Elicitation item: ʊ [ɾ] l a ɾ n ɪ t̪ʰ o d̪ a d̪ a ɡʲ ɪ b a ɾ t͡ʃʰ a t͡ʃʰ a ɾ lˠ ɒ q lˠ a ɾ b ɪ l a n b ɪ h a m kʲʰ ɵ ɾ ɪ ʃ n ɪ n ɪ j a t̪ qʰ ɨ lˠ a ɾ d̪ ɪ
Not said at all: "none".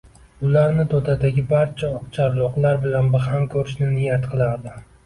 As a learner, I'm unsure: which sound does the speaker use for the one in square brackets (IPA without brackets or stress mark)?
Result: none